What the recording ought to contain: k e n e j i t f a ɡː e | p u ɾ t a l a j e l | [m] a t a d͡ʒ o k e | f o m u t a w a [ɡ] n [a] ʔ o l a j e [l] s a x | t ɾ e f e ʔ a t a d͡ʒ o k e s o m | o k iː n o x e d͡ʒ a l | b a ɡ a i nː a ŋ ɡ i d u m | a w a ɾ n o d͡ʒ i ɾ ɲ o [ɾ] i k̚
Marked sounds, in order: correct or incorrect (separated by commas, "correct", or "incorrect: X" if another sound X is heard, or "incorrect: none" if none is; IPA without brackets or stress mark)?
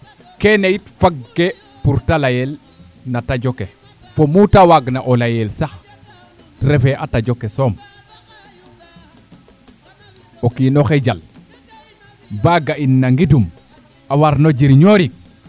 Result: incorrect: n, correct, correct, correct, correct